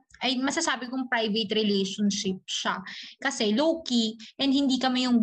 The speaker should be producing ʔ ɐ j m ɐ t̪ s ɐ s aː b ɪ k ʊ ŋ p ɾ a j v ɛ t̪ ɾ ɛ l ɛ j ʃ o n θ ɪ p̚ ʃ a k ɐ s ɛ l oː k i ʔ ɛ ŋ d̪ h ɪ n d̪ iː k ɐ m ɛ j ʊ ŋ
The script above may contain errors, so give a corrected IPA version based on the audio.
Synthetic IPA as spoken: ʔ ɐ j m ɐ s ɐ s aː b ɪ k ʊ ŋ p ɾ a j v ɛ t̪ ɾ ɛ l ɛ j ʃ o n ʃ ɪ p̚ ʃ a k ɐ s ɛ l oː k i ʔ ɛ n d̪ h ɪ n d̪ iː k ɐ m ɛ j ʊ ŋ